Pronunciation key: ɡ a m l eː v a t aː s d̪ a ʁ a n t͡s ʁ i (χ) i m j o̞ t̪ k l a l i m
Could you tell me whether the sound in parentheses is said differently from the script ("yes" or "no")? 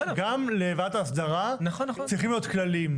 no